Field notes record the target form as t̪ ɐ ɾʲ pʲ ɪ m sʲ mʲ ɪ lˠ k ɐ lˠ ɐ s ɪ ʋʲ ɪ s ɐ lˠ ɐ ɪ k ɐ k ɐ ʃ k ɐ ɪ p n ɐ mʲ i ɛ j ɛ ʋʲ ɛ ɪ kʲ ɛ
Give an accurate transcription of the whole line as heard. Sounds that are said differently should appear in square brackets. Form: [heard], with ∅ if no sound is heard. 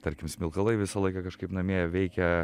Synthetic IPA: t̪ ɐ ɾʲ [kʲ] ɪ m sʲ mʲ ɪ lˠ k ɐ lˠ ɐ [∅] ɪ ʋʲ ɪ s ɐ lˠ ɐ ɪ k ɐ k ɐ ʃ k ɐ ɪ p n ɐ mʲ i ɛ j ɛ ʋʲ ɛ ɪ kʲ ɛ